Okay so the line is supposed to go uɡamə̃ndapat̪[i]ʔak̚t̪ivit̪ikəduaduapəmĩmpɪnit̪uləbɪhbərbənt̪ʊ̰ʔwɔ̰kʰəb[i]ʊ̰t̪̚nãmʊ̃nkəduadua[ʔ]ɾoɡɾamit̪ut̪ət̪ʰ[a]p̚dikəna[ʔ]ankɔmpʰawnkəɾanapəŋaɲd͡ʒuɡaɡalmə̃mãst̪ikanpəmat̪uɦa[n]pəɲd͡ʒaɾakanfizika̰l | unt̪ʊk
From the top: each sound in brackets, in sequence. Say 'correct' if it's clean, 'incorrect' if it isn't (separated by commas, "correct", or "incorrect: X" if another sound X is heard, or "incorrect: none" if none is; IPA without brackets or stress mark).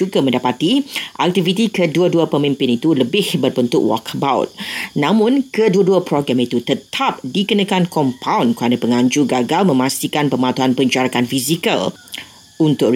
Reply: correct, incorrect: a, incorrect: p, correct, incorrect: k, correct